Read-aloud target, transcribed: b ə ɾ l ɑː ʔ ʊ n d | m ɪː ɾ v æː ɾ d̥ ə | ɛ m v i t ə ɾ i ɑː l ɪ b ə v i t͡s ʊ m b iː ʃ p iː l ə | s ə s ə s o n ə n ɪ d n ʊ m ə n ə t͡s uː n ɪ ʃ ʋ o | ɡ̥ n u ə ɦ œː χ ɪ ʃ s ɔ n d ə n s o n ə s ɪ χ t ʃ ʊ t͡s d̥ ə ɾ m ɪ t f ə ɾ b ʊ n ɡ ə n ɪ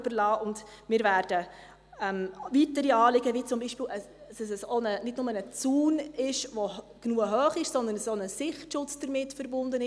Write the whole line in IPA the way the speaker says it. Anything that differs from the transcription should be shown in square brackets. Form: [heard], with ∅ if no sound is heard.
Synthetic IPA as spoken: b ə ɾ l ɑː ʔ ʊ n d | m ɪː ɾ v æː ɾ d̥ ə | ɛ m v i t ə ɾ i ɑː l ɪ [ɡ] ə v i t͡s ʊ m b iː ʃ p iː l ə | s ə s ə s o n ə n ɪ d n ʊ m ə n ə t͡s uː n ɪ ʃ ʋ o | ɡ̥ n u ə ɦ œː χ ɪ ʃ s ɔ n d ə n s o n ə s ɪ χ t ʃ ʊ t͡s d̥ ə ɾ m ɪ t f ə ɾ b ʊ n [d] ə n ɪ